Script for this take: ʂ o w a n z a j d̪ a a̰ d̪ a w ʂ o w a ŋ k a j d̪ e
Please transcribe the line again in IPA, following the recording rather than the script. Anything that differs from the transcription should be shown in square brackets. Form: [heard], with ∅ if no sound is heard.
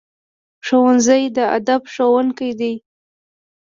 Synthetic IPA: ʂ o w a n z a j d̪ [ə] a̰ d̪ a [b] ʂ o w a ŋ k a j d̪ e